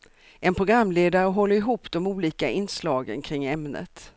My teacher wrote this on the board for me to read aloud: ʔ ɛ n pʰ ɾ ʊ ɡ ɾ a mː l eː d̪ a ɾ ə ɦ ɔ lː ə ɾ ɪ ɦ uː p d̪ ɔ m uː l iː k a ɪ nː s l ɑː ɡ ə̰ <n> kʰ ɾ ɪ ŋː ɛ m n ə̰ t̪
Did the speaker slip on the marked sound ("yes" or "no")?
no